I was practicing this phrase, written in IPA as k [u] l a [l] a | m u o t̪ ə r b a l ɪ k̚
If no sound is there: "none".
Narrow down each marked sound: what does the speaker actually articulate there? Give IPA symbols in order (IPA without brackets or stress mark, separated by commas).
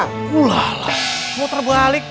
u, l